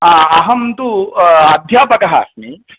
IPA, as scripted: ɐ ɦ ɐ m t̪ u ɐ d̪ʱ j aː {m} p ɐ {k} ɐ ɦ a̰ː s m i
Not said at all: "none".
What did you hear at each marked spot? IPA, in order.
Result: none, k

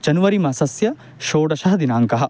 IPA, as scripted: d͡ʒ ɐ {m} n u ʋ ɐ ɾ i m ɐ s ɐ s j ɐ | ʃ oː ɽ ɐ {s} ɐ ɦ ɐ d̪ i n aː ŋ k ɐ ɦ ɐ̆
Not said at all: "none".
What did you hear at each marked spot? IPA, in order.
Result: none, ʃ

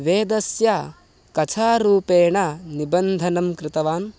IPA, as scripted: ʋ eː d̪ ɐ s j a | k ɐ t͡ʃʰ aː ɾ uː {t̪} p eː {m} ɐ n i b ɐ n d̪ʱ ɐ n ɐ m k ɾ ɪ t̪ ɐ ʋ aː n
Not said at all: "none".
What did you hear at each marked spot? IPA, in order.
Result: none, ɳ

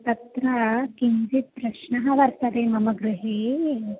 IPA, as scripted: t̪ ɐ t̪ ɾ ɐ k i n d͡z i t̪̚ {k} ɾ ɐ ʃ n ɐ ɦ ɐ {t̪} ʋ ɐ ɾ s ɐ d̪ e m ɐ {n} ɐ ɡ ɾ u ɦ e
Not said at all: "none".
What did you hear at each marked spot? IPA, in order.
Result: p, none, m

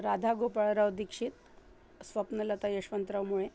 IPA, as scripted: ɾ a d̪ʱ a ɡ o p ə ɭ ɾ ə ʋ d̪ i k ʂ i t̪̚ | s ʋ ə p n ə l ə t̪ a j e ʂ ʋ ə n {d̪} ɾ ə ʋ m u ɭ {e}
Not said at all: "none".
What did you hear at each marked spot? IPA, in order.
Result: t̪, e

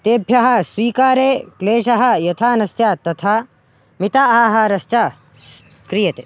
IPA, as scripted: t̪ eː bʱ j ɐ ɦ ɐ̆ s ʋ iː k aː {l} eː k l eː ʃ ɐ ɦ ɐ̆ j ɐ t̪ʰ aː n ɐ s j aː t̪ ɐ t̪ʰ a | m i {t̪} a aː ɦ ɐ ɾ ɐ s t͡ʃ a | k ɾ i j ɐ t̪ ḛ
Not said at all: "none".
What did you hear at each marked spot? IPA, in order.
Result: ɾ, t̪

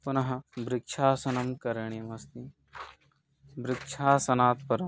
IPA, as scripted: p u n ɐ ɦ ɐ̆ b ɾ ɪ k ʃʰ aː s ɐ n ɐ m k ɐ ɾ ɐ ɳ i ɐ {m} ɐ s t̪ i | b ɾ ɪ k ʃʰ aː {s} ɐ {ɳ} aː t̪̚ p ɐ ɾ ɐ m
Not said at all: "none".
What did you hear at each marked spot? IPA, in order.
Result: m, s, n

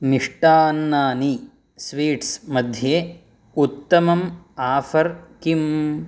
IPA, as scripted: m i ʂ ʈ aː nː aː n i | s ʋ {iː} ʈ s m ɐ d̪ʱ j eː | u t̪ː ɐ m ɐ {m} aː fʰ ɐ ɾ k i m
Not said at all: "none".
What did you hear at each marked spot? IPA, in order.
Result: iː, m

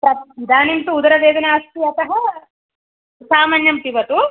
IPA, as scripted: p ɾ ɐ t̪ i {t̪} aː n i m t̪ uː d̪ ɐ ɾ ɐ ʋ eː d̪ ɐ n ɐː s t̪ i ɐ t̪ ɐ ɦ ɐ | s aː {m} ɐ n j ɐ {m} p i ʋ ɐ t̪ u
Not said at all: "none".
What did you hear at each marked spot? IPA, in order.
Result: d̪, m, m

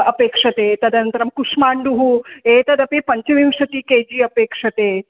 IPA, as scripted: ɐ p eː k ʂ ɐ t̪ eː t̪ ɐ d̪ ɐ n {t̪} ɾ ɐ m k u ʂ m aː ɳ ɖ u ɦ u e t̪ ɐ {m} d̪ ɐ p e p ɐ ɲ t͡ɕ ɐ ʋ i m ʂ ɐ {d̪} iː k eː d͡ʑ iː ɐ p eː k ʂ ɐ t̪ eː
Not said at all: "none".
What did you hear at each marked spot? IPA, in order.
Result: t̪, none, t̪

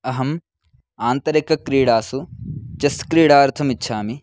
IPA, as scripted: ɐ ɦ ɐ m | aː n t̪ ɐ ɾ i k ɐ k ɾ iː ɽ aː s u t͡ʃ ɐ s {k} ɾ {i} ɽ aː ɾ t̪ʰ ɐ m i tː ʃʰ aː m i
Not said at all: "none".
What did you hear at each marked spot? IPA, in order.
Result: k, iː

